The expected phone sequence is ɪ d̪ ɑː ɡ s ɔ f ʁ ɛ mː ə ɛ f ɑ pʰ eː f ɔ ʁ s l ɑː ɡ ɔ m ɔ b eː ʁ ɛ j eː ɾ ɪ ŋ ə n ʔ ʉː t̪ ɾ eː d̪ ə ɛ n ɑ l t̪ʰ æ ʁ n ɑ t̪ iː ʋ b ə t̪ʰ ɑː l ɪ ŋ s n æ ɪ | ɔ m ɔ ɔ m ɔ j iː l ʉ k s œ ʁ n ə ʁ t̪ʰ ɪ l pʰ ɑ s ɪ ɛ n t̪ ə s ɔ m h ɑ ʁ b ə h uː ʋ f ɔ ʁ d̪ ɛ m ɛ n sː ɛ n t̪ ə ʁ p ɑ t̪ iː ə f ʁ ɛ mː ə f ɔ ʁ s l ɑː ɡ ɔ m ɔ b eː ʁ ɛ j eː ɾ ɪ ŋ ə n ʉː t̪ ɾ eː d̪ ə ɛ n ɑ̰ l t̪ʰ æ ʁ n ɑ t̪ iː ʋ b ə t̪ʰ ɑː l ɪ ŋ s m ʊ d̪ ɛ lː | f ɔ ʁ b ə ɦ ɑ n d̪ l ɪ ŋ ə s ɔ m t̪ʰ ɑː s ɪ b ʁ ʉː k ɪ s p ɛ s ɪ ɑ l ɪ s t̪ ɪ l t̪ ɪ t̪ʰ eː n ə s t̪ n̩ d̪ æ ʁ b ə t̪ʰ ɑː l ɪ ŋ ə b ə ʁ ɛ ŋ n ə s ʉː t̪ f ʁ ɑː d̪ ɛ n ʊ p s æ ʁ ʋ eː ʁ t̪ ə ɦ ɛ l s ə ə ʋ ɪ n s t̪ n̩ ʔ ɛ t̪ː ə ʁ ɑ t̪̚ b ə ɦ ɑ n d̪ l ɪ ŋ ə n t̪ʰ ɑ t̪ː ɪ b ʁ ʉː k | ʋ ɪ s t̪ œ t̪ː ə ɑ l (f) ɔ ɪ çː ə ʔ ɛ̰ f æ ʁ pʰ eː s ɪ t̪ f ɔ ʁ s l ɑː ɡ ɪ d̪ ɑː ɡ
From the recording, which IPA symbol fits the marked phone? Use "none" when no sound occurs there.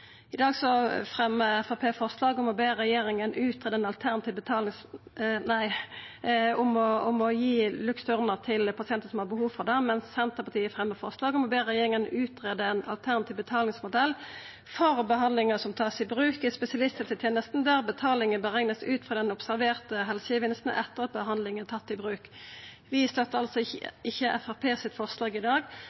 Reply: s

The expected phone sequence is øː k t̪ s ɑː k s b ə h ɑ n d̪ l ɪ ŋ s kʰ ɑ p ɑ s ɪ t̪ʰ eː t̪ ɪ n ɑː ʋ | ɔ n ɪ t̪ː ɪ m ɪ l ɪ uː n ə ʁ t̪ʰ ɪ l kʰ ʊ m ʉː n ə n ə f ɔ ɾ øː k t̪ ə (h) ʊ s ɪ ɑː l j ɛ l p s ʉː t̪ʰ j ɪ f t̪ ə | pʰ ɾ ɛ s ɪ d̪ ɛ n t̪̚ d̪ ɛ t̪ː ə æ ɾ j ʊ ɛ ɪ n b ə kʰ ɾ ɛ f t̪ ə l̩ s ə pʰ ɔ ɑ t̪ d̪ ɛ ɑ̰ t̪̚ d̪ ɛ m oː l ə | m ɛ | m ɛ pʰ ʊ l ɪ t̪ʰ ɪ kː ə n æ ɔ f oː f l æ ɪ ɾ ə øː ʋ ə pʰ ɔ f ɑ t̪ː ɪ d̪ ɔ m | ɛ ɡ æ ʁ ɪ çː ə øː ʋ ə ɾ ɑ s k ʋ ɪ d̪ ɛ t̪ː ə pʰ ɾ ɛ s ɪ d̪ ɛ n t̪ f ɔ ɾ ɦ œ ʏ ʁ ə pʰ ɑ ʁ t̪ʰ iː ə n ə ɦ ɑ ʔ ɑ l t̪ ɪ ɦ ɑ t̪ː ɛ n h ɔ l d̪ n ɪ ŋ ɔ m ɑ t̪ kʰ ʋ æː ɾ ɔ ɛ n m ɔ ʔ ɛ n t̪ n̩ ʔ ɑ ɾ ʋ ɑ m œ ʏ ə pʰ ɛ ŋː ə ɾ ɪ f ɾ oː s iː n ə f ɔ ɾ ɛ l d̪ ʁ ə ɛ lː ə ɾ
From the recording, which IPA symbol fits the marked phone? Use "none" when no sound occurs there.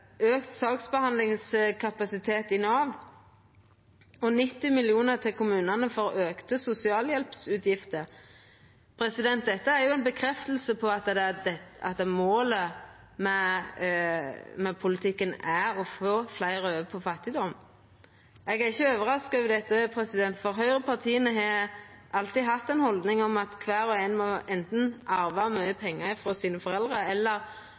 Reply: s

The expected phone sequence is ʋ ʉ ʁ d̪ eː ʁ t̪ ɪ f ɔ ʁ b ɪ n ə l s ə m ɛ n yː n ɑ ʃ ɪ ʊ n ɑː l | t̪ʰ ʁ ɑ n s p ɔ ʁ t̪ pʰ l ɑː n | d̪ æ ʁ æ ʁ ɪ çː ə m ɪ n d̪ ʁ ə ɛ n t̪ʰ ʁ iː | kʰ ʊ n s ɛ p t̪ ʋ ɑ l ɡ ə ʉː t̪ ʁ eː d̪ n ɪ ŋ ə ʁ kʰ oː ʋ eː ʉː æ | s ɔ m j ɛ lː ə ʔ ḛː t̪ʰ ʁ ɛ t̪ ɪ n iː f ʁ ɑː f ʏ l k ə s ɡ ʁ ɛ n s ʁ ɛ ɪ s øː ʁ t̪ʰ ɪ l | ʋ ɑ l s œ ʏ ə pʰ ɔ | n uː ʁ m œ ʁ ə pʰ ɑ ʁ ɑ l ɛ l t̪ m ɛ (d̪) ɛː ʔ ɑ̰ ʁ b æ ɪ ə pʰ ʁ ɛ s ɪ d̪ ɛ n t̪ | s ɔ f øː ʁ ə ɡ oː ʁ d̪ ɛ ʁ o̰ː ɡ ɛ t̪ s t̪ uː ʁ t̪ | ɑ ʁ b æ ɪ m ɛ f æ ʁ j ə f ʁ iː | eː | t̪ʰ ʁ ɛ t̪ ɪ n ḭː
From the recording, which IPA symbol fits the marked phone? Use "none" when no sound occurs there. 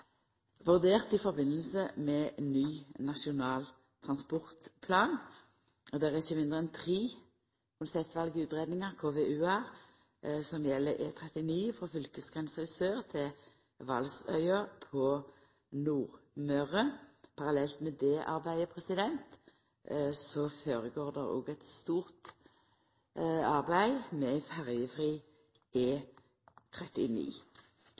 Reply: d̪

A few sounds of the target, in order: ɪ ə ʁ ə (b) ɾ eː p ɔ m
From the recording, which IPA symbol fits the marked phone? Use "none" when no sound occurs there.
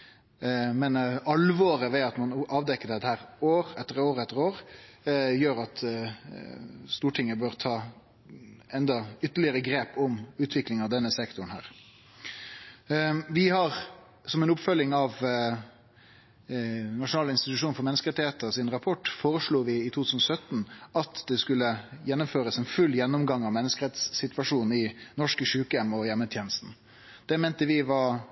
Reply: ɡ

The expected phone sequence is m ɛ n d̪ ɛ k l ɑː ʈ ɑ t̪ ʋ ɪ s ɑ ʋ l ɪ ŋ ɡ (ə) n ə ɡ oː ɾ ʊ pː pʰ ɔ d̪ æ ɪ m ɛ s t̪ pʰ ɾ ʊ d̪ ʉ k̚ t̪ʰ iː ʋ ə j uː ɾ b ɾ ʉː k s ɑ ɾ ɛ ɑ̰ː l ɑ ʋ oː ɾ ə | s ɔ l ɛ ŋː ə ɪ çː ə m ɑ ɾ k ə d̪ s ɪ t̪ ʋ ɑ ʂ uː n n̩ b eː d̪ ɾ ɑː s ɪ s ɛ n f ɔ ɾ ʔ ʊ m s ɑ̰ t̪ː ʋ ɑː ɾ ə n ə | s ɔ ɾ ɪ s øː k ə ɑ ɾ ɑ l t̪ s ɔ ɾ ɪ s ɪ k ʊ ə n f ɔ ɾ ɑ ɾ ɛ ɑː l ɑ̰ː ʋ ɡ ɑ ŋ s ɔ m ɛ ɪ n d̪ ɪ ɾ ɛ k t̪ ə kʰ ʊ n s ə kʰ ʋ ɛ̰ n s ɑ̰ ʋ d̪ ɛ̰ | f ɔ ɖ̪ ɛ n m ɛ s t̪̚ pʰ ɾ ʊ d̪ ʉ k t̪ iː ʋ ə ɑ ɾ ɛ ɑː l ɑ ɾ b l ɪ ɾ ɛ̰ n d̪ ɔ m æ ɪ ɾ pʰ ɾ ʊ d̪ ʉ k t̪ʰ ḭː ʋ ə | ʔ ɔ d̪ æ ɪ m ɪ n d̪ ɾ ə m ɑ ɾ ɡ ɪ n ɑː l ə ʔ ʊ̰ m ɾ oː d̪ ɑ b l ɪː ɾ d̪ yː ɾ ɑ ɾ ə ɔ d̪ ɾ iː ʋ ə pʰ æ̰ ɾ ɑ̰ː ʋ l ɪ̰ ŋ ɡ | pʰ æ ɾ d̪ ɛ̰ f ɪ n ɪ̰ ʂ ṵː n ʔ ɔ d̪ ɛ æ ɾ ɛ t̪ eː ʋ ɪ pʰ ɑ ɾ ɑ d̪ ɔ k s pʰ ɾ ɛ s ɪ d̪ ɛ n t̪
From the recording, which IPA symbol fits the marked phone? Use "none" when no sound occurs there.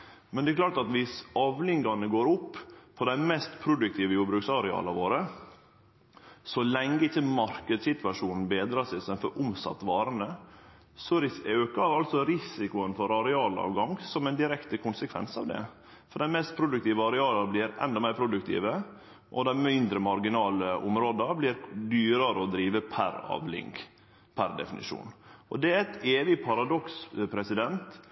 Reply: ɑ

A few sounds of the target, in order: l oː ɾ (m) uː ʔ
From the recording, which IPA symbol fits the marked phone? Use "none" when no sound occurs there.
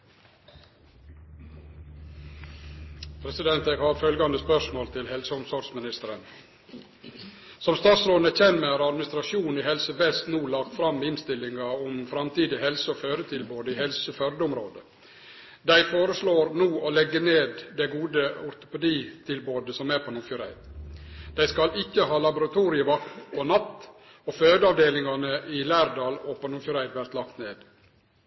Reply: n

